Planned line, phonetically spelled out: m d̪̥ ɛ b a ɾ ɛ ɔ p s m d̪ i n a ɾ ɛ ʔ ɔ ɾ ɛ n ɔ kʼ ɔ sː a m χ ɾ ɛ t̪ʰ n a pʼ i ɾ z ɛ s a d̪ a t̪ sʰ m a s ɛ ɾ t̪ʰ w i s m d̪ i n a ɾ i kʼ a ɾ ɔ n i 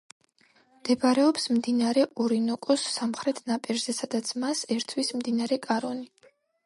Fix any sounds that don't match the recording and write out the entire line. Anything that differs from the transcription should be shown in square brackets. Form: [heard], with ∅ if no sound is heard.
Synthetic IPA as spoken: m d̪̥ ɛ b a ɾ ɛ ɔ p s m d̪ i n a ɾ ɛ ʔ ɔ ɾ [i] n ɔ kʼ ɔ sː a m χ ɾ ɛ t̪ʰ n a pʼ i ɾ z ɛ s a d̪ a t̪ sʰ m a s ɛ ɾ t̪ʰ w i s m d̪ i n a ɾ [ɛ] kʼ a ɾ ɔ n i